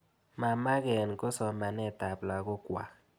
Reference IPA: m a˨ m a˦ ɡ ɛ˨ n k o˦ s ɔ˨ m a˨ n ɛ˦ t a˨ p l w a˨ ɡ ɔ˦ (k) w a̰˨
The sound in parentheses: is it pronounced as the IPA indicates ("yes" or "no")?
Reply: yes